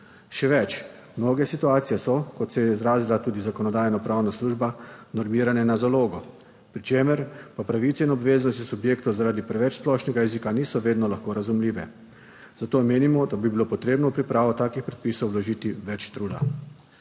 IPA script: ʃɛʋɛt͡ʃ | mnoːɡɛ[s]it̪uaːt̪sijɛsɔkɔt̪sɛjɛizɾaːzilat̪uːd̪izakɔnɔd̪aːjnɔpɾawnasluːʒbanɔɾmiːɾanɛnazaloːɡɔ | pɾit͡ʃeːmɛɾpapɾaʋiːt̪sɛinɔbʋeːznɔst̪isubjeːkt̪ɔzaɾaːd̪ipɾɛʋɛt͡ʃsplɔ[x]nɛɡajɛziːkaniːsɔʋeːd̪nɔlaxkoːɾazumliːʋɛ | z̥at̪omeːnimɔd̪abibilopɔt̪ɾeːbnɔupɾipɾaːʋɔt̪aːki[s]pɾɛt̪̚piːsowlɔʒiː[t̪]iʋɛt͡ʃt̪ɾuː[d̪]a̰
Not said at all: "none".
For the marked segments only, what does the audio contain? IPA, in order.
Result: s, ʃ, x, t̪, d̪

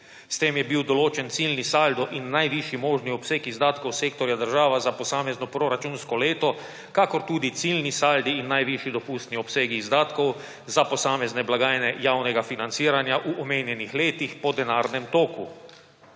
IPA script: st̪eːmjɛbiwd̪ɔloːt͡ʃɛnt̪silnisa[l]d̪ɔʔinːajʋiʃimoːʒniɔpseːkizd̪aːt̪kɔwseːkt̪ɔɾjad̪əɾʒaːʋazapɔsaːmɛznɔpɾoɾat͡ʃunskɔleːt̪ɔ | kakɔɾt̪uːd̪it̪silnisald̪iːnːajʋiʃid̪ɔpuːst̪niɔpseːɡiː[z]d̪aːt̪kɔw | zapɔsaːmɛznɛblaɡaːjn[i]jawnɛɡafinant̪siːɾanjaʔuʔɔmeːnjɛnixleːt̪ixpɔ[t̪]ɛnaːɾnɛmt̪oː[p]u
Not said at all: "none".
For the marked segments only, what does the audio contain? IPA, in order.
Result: l, z, ɛ, d̪, k

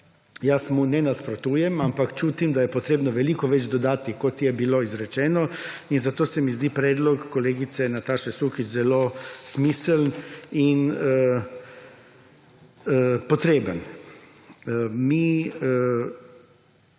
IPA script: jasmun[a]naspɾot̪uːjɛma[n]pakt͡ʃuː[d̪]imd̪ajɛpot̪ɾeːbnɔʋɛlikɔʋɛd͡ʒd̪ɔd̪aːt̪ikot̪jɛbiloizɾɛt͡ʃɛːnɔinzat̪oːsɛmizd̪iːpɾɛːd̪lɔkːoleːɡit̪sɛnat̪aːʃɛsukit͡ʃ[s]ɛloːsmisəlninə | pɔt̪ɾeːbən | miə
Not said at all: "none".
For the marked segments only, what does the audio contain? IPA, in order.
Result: ɛ, m, t̪, z

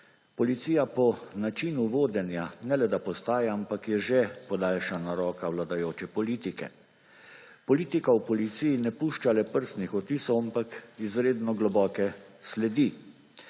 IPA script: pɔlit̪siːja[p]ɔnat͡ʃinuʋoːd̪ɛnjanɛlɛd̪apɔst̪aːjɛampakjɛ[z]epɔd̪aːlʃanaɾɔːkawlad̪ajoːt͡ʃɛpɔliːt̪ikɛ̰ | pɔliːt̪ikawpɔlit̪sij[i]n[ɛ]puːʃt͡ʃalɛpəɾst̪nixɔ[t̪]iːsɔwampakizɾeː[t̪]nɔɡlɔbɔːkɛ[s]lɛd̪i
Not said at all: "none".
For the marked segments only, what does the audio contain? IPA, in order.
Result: p, ʒ, i, ɛ, t̪, d̪, s

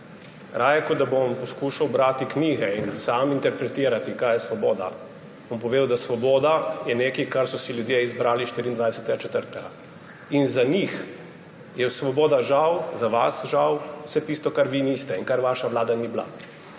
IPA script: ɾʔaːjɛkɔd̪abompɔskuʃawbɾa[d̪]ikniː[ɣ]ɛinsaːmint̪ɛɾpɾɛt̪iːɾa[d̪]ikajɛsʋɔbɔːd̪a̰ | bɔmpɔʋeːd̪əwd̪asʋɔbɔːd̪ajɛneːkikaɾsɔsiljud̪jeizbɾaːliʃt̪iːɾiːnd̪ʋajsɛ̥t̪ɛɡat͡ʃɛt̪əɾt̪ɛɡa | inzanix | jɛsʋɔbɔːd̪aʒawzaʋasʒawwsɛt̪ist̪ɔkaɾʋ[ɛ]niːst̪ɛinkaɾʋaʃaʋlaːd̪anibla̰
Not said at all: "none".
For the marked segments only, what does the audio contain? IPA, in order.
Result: t̪, ɣ, t̪, i

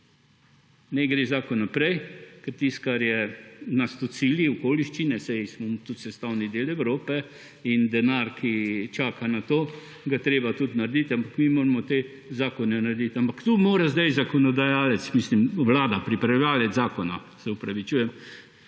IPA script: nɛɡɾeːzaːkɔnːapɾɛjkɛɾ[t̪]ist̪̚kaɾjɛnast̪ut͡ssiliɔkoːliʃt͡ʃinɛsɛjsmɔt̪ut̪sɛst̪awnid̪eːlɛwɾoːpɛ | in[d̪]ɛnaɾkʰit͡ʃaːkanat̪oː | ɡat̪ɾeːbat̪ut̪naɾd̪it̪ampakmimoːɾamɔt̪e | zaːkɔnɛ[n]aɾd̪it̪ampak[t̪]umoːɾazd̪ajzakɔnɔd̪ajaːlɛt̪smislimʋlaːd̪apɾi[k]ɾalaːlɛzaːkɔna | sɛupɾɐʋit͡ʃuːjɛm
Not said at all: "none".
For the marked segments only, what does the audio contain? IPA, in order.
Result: t̪, d̪, n, t̪, p

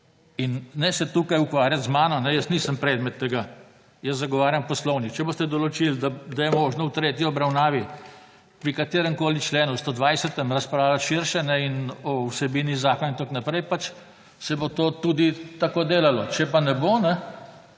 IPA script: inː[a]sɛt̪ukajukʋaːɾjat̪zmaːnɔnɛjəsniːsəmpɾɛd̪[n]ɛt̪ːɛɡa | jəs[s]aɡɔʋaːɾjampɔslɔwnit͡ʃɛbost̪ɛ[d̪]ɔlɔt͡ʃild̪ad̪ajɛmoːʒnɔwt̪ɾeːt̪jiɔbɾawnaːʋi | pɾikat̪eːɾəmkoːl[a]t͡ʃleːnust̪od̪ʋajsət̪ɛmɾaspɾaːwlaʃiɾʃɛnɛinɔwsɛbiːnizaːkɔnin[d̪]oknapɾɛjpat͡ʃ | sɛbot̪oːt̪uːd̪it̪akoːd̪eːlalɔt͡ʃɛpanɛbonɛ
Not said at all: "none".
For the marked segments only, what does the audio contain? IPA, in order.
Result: ɛ, m, z, d̪, i, t̪

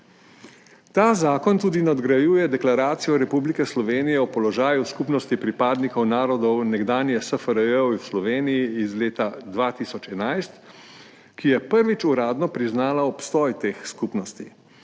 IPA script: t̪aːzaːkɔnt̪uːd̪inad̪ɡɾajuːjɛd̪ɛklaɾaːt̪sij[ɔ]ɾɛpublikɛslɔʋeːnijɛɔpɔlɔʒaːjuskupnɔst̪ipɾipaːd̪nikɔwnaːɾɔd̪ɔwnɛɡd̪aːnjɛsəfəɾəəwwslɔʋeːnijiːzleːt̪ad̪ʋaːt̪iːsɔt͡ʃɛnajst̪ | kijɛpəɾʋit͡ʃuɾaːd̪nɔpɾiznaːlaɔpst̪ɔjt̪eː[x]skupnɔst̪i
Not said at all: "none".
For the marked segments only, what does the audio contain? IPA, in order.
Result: ɔ, x

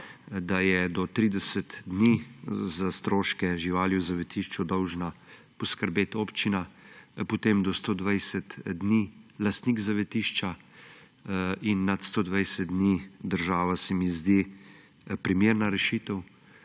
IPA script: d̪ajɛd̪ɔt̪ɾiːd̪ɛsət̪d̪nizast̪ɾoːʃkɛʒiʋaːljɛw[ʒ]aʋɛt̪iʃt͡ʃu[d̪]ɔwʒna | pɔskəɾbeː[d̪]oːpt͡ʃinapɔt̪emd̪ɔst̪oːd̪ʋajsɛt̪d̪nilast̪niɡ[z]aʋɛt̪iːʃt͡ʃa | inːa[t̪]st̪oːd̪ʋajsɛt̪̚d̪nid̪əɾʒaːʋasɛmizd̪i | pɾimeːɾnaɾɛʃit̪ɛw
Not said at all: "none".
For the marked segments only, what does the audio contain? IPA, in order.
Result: z, d̪, t̪, z, t̪

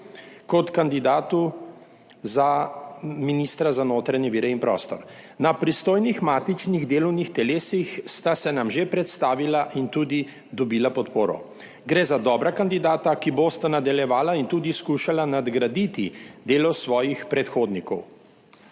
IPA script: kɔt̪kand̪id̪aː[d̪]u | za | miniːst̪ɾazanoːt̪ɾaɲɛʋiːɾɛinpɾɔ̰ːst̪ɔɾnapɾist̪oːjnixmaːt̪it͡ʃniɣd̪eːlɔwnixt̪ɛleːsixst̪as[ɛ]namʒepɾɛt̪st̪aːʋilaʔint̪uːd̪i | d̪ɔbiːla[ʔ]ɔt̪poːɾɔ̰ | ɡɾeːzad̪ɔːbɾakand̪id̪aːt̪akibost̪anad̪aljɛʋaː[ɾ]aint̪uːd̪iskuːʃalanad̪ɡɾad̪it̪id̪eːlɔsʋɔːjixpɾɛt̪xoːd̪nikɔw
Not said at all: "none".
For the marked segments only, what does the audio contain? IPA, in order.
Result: t̪, ɛ, p, l

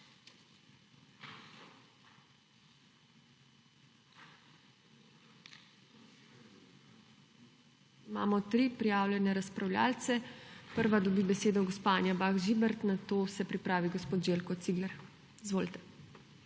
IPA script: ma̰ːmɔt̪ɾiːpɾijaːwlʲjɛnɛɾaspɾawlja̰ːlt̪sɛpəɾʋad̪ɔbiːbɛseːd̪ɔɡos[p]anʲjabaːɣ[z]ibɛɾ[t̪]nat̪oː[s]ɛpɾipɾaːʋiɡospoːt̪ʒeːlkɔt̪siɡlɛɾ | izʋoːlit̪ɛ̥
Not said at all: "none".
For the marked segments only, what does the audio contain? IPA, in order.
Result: p, ʒ, t̪, s

